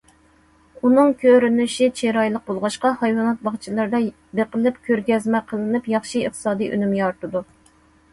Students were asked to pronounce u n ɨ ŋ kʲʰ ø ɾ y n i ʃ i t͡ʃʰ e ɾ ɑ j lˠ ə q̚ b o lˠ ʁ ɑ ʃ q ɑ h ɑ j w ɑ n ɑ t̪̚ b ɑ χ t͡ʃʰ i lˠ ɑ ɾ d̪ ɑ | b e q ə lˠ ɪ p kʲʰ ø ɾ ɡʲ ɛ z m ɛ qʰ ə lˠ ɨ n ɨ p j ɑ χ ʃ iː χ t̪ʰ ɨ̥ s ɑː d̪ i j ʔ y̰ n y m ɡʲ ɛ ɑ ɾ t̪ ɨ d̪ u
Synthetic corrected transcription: u n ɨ ŋ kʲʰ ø ɾ y n y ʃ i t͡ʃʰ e ɾ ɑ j lˠ ə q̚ b o lˠ ʁ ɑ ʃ q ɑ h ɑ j w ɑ n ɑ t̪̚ b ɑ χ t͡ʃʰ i lˠ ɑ ɾ d̪ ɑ | b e q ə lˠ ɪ p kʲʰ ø ɾ ɡʲ ɛ z m ɛ qʰ ə lˠ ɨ n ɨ p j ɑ χ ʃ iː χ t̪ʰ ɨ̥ s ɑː d̪ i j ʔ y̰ n y m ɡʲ ɛ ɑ ɾ t̪ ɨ d̪ u

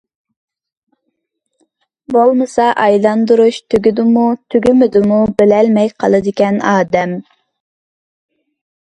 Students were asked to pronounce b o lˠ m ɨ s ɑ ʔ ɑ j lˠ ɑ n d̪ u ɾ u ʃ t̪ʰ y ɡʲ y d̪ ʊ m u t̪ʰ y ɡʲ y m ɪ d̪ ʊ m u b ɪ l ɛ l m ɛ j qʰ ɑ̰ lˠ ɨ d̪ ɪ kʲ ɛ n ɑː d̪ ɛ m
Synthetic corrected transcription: b o lˠ m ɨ s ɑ ʔ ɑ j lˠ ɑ n d̪ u ɾ u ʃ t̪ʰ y ɡʲ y d̪ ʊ m u t̪ʰ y ɡʲ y m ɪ d̪ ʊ m u b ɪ l ɛ l m ɛ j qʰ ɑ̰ lˠ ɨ d̪ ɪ kʲ ɛ n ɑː d̪ ɛ m

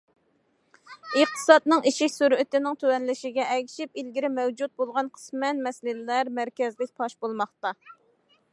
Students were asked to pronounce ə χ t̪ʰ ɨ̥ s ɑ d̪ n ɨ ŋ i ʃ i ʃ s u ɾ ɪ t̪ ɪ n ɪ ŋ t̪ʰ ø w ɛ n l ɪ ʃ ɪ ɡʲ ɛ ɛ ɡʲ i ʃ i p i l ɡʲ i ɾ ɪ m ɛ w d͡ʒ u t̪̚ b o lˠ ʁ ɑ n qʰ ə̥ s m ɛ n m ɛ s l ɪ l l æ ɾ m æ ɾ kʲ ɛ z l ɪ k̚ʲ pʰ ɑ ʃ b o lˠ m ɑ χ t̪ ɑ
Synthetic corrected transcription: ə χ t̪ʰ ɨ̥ s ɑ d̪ n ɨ ŋ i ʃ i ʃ s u ɾ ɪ t̪ ɪ n ɪ ŋ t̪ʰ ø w ɛ n l ɪ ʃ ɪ ɡʲ ɛ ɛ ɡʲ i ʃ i p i l ɡʲ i ɾ ɪ m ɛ w d͡ʒ u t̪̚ b o lˠ ʁ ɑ n qʰ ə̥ s m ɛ n m ɛ s l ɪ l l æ ɾ m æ ɾ kʲ ɛ z l ɪ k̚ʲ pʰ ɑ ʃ b o lˠ m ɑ χ t̪ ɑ

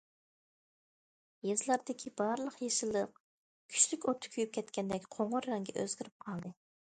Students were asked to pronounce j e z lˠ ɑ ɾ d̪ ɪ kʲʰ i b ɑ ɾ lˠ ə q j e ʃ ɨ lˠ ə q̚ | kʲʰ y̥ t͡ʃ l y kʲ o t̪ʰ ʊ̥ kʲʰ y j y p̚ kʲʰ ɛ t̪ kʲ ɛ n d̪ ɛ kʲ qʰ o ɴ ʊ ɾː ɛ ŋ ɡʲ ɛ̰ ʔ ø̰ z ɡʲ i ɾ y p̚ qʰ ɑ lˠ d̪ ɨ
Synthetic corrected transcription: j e z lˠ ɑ ɾ d̪ ɪ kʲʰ i b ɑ ɾ lˠ ə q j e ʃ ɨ lˠ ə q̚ | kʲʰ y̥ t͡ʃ l y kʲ o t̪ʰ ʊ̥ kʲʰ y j y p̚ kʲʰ ɛ t̪ kʲ ɛ n d̪ ɛ kʲ qʰ o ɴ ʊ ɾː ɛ ŋ ɡʲ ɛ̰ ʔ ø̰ z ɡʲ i ɾ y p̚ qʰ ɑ lˠ d̪ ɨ

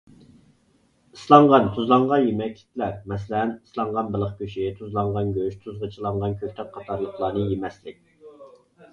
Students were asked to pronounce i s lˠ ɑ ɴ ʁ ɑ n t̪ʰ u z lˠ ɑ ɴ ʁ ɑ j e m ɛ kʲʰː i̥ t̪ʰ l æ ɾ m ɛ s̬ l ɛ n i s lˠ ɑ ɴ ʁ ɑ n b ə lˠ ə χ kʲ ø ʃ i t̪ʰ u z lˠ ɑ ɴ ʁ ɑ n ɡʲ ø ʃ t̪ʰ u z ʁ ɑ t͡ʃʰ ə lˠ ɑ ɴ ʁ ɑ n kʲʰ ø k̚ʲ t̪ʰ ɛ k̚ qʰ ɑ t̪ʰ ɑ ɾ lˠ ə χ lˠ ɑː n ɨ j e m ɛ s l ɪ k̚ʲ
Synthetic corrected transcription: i s lˠ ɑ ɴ ʁ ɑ n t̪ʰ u z lˠ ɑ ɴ ʁ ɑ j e m ɛ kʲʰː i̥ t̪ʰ l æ ɾ m ɛ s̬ l ɛ n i s lˠ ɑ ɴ ʁ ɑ n b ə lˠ ə χ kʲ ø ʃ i t̪ʰ u z lˠ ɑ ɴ ʁ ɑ n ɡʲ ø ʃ t̪ʰ u z ʁ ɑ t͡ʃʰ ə lˠ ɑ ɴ ʁ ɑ n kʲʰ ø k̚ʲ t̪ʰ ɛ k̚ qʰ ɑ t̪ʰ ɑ ɾ lˠ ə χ lˠ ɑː n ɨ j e m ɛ s l ɪ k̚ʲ

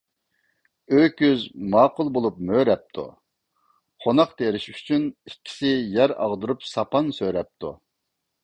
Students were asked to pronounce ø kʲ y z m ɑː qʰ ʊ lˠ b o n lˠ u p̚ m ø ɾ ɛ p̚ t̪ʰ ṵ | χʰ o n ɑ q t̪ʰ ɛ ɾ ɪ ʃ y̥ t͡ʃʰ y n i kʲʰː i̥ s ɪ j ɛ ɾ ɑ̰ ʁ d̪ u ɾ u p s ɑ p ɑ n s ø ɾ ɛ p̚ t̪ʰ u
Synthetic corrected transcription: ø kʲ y z m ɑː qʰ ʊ lˠ b o lˠ u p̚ m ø ɾ ɛ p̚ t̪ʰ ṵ | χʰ o n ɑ q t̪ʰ e ɾ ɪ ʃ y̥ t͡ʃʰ y n i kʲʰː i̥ s ɪ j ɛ ɾ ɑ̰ ʁ d̪ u ɾ u p s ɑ p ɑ n s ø ɾ ɛ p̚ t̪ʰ u

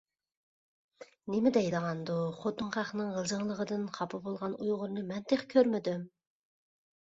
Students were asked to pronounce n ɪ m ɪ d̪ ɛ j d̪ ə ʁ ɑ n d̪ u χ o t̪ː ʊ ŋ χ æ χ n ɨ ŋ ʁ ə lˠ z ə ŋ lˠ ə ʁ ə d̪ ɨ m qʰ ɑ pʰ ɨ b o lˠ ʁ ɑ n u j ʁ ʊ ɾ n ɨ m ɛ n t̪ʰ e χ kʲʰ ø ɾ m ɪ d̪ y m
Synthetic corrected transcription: n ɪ m ɪ d̪ ɛ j d̪ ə ʁ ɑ n d̪ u χ o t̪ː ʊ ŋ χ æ χ n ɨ ŋ ʁ ə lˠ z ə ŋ lˠ ə ʁ ə d̪ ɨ n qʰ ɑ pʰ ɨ b o lˠ ʁ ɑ n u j ʁ ʊ ɾ n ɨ m ɛ n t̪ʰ e χ kʲʰ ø ɾ m ɪ d̪ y m

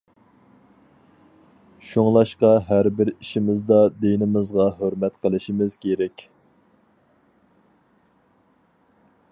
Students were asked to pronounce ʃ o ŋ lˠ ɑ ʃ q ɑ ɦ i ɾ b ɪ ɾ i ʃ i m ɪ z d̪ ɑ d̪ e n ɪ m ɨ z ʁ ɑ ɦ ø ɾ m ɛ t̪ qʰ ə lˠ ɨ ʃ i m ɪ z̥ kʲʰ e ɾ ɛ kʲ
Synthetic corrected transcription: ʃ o ŋ lˠ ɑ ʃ q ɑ ɦ æ ɾ b ɪ ɾ i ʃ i m ɪ z d̪ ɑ d̪ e n ɪ m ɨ z ʁ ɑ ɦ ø ɾ m ɛ t̪ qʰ ə lˠ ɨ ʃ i m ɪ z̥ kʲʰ e ɾ ɛ kʲ

